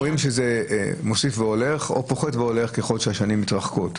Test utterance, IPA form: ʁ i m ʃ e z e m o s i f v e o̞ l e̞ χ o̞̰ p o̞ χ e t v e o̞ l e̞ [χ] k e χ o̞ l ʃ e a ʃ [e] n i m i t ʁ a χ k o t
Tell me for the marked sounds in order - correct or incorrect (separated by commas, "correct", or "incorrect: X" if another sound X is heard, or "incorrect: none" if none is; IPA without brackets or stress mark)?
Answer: correct, incorrect: a